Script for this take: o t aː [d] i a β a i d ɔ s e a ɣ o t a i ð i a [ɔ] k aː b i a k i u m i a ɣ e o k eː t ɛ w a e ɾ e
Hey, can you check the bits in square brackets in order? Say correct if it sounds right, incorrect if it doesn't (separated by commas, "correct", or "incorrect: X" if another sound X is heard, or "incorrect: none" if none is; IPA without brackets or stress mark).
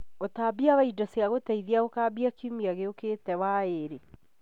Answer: incorrect: b, incorrect: o